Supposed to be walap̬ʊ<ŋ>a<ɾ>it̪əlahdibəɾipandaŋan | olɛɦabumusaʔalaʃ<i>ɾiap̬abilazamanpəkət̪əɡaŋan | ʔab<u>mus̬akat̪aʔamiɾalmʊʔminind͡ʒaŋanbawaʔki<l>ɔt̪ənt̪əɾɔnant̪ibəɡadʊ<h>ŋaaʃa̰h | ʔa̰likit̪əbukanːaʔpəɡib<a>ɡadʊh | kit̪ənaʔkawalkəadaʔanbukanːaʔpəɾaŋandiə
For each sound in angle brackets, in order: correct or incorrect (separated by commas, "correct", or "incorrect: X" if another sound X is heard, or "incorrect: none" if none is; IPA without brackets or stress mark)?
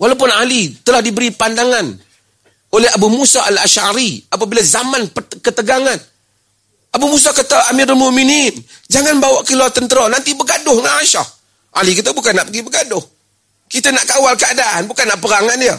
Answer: incorrect: n, incorrect: l, incorrect: a, correct, correct, correct, incorrect: ə